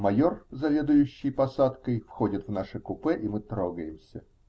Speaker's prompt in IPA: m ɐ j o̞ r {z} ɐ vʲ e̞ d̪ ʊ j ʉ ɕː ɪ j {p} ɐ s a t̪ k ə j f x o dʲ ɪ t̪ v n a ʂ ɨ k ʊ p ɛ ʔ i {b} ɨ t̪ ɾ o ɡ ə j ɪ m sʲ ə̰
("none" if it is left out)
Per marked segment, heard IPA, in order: z, p, m

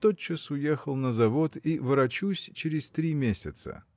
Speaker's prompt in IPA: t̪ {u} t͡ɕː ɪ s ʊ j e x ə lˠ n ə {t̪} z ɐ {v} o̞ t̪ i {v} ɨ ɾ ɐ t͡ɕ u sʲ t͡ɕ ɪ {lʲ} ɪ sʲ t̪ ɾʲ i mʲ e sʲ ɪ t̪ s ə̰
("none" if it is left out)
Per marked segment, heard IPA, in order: o, none, v, v, ɾʲ

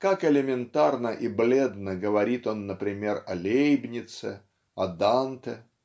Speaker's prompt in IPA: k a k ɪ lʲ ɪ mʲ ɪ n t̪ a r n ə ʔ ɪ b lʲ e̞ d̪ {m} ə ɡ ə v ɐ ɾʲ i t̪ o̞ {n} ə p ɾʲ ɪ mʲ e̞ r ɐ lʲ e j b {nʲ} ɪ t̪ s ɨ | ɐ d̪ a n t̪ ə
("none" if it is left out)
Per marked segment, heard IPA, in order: n, nː, nʲ

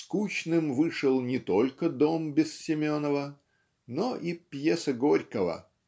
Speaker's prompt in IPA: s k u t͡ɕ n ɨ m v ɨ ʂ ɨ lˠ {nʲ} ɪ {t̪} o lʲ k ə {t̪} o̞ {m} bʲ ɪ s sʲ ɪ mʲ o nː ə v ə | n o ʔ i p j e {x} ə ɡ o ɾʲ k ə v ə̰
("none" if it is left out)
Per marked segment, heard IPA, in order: nʲ, t̪, d̪, m, s

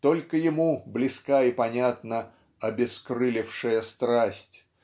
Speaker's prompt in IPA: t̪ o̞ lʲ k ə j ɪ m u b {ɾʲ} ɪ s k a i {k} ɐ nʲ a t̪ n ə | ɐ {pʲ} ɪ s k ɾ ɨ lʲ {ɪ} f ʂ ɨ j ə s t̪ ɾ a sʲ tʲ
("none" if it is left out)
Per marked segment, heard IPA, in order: lʲ, p, bʲ, ɪ

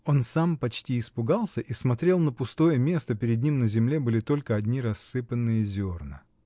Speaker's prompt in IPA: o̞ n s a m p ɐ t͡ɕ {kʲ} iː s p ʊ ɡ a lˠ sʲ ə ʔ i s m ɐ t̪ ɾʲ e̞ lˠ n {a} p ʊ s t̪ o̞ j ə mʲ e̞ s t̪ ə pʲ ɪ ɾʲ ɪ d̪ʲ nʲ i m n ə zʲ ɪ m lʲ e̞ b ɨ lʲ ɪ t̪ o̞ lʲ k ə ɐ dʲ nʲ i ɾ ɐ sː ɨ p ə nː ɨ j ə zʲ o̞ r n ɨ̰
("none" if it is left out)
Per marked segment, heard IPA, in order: tʲ, ə

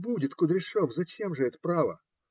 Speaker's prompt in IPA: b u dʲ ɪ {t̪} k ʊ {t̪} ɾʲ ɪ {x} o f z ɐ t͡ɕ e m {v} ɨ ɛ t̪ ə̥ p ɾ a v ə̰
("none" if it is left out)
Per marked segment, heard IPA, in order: t̪, d̪, ʂ, ʐ

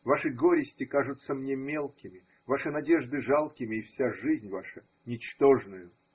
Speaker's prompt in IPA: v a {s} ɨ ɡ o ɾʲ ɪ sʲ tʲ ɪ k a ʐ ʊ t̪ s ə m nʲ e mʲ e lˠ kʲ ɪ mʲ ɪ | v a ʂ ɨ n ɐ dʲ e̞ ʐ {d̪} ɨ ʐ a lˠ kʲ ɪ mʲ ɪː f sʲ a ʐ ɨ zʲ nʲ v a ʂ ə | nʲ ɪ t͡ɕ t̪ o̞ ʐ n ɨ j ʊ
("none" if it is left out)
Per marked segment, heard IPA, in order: ʂ, d̪

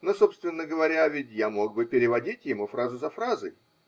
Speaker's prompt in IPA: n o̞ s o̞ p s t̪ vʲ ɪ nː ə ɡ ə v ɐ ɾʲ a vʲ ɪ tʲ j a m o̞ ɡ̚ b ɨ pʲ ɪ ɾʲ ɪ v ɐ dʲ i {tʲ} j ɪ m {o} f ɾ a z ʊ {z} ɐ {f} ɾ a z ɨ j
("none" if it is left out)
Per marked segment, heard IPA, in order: tʲ, u, z, f

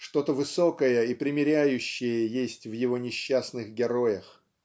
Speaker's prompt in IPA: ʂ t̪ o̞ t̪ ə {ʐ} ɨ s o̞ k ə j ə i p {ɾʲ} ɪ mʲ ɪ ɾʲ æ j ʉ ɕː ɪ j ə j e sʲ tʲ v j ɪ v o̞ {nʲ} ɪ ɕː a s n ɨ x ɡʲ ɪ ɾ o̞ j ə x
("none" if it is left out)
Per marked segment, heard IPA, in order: v, ɾʲ, nʲ

